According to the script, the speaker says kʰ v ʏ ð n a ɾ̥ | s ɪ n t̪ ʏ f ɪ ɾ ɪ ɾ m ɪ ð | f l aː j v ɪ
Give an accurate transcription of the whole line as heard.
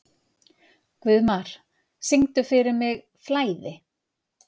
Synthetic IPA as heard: k v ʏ ð m a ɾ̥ | s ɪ ŋ t̪ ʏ f ɪ ɾ ɪ ɾ m ɪ ɣ | f l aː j ð ɪ

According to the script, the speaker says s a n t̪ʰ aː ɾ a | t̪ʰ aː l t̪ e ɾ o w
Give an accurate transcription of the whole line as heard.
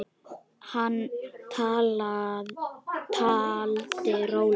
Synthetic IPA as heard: h a n t̪ʰ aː l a | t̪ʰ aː l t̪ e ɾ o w

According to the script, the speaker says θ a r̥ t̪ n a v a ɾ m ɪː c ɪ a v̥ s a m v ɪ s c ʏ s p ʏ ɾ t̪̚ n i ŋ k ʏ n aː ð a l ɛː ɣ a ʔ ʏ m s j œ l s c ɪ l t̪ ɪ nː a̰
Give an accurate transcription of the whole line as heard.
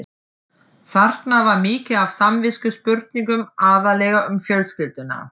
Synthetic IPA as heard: θ a r̥ t̪ n a v a ɾ m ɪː c ɪ a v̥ s a m v ɪ s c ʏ s p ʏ ɾ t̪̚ n i ŋ k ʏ m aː ð a l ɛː ɣ a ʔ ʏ m f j œ l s c ɪ l t̪ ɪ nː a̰

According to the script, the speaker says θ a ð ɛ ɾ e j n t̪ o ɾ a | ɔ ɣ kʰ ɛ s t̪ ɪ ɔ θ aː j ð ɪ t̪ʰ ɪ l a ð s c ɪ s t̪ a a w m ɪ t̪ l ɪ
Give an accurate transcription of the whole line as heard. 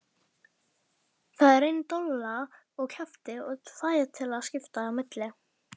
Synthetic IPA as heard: θ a ð ɛ ɾ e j n t̪ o l a | ɔ ɣ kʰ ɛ f t̪ ɪ ɔ θ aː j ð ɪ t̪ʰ ɪ l a ð s c ɪ f t̪ a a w m ɪ t̪ l ɪ

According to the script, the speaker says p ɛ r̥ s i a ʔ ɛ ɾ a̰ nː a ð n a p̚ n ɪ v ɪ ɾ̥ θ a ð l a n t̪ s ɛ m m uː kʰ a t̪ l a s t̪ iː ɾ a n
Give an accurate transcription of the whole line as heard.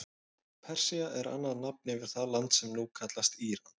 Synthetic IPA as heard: pʰ ɛ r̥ s i a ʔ ɛ ɾ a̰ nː a ð n a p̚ n ɪ v ɪ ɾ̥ θ a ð l a n t̪ s ɛ m n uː kʰ a t̪ l a s t̪ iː ɾ a n

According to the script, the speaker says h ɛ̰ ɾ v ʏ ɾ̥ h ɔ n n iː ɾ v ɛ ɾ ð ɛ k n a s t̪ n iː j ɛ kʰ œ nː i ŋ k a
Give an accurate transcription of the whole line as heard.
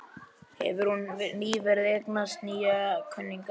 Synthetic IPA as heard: h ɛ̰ v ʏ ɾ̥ h u n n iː v ɛ ɾ ð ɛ k n a s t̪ n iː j a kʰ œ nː i ŋ k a

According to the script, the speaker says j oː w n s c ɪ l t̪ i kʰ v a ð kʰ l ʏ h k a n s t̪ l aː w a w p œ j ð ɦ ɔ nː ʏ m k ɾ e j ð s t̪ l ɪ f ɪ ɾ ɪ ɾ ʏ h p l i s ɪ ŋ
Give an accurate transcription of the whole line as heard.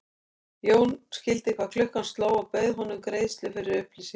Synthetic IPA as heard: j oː w n s c ɪ l t̪ ɪ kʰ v a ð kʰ l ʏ h k a n s t̪ l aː w a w p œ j ð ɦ ɔ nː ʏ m k ɾ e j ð s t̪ l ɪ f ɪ ɾ ɪ ɾ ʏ h p l i s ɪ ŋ

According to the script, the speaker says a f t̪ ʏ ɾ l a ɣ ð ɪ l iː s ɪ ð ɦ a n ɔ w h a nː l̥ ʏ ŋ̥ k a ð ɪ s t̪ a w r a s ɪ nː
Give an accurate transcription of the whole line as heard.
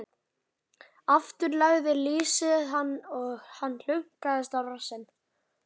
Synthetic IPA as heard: a f t̪ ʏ ɾ l a ɣ ð ɪ l iː s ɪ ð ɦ a nː ɔ ɣ h a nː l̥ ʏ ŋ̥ k a ð ɪ s t̪ a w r a s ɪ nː

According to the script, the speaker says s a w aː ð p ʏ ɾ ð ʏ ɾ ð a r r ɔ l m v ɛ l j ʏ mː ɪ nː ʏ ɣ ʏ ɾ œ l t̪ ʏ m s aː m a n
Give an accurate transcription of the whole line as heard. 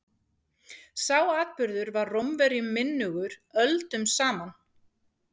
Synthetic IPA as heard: s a w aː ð p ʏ ɾ ð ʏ ɾ v a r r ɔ m v ɛ ɾ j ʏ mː ɪ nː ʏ ɣ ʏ ɾ œ l t̪ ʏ m s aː m a n

